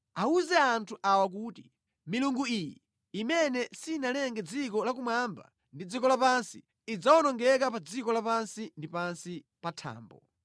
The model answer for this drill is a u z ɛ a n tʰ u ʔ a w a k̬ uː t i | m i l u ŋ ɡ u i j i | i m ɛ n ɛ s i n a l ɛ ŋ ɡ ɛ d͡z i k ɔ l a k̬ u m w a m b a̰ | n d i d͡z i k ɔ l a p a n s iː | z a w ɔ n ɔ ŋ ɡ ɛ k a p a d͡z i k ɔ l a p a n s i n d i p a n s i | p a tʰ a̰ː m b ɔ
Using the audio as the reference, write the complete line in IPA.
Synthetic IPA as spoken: a u z ɛ a n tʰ u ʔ a w a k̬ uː t i | m i l u ŋ ɡ u i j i | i m ɛ n ɛ s i n a l ɛ ŋ ɡ ɛ d͡z i k ɔ l a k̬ u m w a m b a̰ | n d i d͡z i k ɔ l a p a n s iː | d͡z a w ɔ n ɔ ŋ ɡ ɛ k a p a d͡z i k ɔ l a p a n s i n d i p a n s i | p a tʰ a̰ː m b ɔ